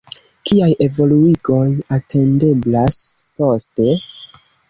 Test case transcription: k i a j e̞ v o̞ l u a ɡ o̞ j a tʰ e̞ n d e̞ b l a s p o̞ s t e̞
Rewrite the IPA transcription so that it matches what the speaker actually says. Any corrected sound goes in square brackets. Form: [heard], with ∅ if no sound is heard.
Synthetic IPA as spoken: k i a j e̞ v o̞ l u [i] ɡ o̞ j a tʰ e̞ n d e̞ b l a s p o̞ s t e̞